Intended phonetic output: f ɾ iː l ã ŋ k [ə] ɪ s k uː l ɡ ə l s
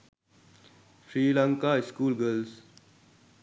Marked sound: incorrect: a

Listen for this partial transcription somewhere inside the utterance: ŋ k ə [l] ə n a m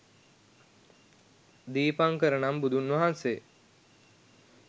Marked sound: incorrect: ɾ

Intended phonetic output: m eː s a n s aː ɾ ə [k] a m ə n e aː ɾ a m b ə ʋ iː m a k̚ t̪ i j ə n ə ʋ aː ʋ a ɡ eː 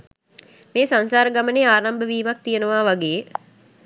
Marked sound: incorrect: ɡ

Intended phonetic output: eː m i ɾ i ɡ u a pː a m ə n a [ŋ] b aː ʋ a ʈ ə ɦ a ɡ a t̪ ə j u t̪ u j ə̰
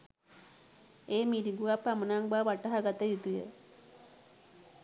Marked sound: correct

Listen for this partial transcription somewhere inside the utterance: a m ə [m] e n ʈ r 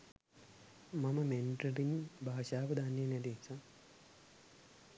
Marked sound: correct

